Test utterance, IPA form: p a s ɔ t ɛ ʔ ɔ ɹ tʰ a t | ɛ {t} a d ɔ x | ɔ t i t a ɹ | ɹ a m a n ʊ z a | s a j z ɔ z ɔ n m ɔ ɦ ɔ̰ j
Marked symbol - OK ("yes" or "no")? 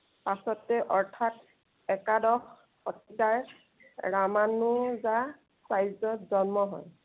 no